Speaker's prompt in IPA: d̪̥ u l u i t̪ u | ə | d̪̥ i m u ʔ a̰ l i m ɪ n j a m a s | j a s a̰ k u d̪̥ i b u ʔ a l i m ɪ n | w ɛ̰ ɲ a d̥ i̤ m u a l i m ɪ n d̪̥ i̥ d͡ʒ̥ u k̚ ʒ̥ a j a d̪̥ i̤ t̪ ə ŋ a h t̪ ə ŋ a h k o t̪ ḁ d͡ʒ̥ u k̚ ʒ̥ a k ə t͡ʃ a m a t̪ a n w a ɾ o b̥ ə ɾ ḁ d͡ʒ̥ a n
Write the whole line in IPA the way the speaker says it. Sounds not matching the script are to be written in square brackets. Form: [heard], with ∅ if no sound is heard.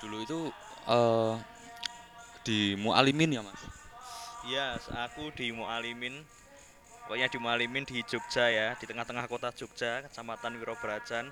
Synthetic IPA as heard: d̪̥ u l u i t̪ u | ə | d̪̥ i m u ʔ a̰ l i m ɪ n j a m a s | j a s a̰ k u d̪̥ i [m] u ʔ a l i m ɪ n | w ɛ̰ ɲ a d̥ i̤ m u a l i m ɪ n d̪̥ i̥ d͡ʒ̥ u k̚ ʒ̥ a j a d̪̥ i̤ t̪ ə ŋ a h t̪ ə ŋ a h k o t̪ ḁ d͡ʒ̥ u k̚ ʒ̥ a k ə t͡ʃ a m a t̪ a n w [i] ɾ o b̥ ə ɾ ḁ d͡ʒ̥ a n